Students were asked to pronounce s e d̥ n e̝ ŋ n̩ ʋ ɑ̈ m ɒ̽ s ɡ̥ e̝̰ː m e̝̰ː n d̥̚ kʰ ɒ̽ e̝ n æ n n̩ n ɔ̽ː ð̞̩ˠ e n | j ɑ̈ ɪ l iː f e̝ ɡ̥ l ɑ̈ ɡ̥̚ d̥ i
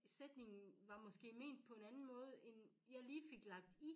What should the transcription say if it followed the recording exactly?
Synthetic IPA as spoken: s e d̥ n e̝ ŋ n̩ ʋ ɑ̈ m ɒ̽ s ɡ̥ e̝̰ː m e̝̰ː n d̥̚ pʰ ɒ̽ e̝ n æ n n̩ m ɔ̽ː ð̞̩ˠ e n | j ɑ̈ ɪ l iː f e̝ ɡ̥ l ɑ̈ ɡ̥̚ d̥ i